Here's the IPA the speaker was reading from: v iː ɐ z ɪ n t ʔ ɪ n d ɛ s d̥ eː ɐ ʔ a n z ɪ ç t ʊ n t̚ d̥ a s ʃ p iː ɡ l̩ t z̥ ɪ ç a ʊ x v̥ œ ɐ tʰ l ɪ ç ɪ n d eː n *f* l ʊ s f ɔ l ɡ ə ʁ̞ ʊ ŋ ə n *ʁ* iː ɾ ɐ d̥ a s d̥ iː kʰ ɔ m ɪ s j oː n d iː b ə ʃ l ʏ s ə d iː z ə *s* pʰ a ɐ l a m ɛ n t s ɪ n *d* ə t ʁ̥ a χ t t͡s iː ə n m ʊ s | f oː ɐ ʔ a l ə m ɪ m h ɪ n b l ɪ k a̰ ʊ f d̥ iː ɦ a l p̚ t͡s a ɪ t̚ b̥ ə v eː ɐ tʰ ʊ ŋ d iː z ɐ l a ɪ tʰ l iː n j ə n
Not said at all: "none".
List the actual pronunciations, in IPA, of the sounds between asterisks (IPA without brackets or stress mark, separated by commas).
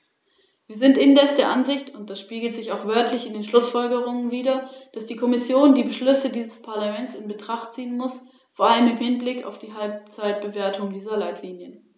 ʃ, v, s, b